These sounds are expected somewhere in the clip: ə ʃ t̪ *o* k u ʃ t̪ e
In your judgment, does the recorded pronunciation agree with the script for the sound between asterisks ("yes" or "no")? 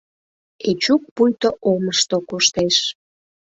yes